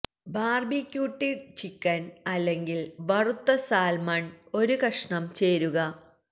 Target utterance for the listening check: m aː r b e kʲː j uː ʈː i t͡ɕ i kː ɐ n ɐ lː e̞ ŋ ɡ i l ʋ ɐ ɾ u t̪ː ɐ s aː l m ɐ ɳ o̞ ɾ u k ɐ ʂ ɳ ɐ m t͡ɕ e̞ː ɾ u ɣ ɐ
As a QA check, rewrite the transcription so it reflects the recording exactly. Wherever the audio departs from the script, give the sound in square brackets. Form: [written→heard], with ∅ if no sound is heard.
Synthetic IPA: [m→b] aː r b [e→i] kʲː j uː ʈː i t͡ɕ i kː ɐ n ɐ lː e̞ ŋ ɡ i l ʋ ɐ [ɾ→r] u t̪ː ɐ s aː l m ɐ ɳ o̞ ɾ u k ɐ ʂ ɳ ɐ m t͡ɕ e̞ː ɾ u ɣ ɐ

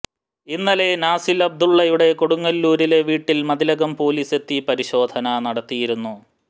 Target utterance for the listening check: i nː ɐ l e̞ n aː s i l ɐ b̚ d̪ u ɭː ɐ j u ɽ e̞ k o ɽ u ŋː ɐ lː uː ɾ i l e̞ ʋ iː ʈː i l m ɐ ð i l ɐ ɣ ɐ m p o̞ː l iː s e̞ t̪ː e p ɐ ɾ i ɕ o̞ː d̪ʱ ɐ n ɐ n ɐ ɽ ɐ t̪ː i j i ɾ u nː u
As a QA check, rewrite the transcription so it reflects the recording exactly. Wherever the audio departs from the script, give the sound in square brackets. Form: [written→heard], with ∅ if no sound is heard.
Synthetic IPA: i nː ɐ l e̞ n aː s i l ɐ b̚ d̪ u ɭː ɐ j u ɽ e̞ k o ɽ u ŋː ɐ lː uː ɾ i l e̞ ʋ iː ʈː i l m ɐ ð i l ɐ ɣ ɐ m p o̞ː l iː s e̞ t̪ː [e→i] p ɐ ɾ i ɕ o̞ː d̪ʱ ɐ n ɐ n ɐ ɽ ɐ t̪ː i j i ɾ u nː u

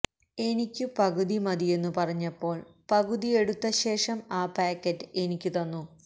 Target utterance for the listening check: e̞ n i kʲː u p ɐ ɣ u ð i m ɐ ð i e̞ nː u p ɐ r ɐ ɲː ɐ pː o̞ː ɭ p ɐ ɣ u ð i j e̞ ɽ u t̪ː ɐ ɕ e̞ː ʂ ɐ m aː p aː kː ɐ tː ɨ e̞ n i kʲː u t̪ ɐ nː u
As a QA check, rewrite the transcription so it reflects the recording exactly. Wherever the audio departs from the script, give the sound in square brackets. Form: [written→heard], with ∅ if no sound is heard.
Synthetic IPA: e̞ n i kʲː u p ɐ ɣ u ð i m ɐ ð i e̞ nː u p ɐ r ɐ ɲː ɐ pː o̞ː ɭ p ɐ ɣ u ð i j e̞ ɽ u t̪ː ɐ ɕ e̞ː ʂ ɐ m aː p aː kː ɐ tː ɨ e̞ n i kʲː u t̪ ɐ nː u

